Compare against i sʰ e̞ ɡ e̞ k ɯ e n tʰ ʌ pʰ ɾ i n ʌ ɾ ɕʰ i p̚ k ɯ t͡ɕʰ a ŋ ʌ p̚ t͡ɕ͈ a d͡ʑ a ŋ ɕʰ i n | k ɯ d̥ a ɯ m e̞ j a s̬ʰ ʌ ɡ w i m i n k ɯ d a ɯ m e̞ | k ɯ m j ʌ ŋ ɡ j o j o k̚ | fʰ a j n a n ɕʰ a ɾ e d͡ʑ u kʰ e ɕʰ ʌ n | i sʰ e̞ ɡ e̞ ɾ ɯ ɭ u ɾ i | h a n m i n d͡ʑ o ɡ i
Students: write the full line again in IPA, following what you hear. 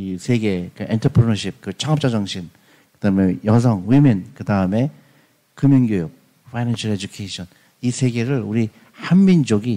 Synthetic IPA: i sʰ e̞ ɡ e̞ k ɯ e n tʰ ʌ pʰ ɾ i n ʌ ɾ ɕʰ i p̚ k ɯ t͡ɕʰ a ŋ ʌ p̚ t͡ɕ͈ a d͡ʑ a ŋ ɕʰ i n | k ɯ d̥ a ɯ m e̞ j ʌ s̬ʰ ʌ ŋ w i m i n k ɯ d a ɯ m e̞ | k ɯ m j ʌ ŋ ɡ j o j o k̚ | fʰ a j n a n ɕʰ a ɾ e d͡ʑ u kʰ e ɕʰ ʌ n | i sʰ e̞ ɡ e̞ ɾ ɯ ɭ u ɾ i | h a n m i n d͡ʑ o ɡ i